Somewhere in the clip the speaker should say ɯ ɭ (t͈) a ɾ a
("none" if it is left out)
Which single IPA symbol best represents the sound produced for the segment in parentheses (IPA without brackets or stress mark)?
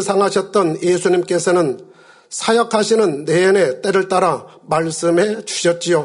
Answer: t͈